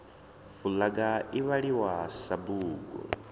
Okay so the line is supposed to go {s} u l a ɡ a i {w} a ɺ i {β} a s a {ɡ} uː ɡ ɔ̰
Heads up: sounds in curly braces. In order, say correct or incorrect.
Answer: incorrect: f, incorrect: β, incorrect: w, incorrect: b

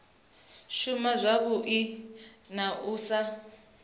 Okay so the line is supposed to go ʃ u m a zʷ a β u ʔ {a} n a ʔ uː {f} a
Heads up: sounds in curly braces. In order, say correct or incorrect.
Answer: incorrect: i, incorrect: s

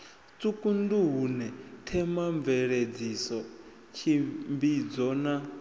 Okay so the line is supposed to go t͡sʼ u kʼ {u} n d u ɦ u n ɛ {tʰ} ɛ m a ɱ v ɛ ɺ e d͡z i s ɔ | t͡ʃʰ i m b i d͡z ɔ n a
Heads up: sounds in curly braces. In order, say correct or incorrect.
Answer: correct, correct

